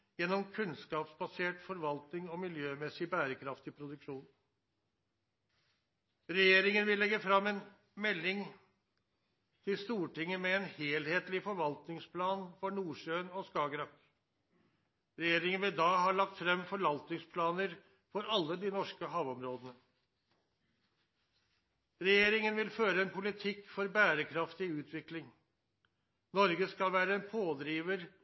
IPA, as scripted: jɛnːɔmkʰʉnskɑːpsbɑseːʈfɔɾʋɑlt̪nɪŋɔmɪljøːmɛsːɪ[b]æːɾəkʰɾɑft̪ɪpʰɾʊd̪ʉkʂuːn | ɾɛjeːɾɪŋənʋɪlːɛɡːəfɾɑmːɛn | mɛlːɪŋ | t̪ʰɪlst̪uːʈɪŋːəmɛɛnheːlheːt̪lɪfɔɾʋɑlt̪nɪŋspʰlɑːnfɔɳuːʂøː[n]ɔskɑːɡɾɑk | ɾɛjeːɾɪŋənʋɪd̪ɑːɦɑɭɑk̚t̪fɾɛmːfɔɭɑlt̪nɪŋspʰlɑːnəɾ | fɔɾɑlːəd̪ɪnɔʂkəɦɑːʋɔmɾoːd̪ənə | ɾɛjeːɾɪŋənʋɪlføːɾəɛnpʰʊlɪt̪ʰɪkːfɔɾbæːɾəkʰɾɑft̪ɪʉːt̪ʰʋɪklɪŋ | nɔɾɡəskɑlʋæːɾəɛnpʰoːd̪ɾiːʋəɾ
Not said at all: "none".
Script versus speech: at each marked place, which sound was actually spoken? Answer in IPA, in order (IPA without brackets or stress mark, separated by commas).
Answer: b, n